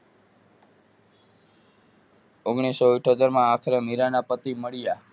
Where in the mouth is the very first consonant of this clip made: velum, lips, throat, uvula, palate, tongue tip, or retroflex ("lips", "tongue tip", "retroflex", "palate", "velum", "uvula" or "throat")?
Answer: velum